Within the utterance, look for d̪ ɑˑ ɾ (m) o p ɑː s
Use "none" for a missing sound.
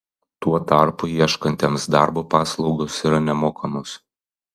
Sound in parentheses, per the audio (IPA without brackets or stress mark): b